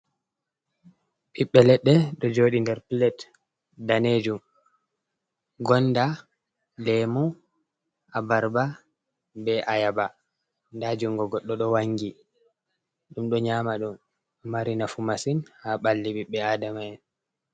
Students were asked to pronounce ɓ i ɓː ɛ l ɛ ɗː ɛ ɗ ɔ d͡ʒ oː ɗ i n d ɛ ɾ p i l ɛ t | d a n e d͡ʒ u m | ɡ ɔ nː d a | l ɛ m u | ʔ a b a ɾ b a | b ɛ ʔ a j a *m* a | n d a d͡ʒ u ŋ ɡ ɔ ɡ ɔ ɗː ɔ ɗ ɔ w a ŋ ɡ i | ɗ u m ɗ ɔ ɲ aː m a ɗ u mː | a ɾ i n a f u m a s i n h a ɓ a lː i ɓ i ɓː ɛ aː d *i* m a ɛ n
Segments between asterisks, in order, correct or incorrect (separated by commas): incorrect, incorrect